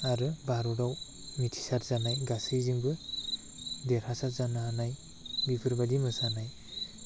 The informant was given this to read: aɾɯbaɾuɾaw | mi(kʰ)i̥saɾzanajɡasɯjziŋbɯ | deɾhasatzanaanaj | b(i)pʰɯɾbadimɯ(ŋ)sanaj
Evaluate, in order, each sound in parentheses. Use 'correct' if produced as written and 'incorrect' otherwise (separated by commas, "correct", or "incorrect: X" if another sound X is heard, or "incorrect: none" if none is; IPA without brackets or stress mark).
incorrect: tʰ, correct, incorrect: none